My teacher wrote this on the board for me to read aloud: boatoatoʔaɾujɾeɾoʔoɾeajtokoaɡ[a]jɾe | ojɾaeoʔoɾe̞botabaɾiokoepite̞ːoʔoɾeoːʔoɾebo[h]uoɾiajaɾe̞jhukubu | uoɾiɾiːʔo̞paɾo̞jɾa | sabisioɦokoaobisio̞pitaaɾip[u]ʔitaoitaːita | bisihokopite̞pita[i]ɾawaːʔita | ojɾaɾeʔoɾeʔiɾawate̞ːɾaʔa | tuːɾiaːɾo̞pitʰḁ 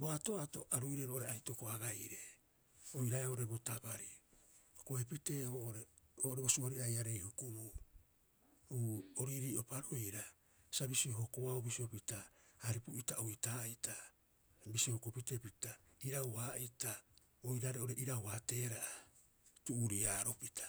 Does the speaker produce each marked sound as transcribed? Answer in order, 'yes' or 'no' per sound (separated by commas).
yes, no, yes, yes